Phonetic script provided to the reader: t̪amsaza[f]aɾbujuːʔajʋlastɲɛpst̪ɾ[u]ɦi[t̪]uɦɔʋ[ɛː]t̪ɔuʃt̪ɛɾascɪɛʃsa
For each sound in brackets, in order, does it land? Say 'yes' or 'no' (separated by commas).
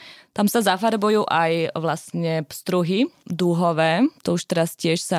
yes, yes, no, yes